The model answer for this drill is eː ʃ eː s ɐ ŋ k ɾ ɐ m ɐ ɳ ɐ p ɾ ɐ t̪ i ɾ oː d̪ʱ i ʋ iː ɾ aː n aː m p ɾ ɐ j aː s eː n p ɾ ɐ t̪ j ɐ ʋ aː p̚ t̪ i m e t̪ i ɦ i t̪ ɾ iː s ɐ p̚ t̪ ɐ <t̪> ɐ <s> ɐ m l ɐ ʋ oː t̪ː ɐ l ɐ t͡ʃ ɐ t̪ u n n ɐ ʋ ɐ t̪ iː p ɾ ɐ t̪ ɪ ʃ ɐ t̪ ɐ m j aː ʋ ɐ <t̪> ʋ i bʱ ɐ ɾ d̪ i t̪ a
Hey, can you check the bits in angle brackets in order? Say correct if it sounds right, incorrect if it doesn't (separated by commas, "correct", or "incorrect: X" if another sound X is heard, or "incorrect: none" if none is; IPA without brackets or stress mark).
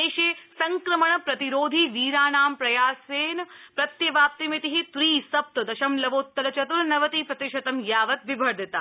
incorrect: d̪, incorrect: ʃ, correct